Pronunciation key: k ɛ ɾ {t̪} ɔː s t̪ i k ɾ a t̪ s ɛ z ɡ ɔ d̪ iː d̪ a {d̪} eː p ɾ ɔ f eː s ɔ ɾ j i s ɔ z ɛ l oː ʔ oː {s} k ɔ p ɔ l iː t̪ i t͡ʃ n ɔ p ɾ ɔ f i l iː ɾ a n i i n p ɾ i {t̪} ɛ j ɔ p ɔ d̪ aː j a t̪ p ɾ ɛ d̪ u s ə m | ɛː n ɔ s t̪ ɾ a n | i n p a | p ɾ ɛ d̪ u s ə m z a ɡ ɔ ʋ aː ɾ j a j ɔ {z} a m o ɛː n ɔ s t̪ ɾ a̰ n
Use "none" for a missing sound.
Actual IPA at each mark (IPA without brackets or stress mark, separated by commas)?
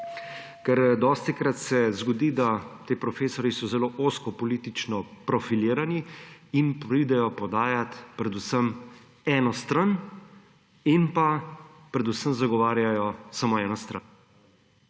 d̪, t̪, s, d̪, s